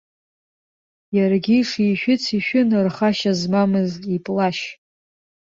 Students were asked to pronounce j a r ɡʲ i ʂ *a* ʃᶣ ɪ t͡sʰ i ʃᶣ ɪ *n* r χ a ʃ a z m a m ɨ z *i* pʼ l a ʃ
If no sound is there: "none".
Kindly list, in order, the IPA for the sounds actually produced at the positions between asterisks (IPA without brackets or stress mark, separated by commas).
i, n, i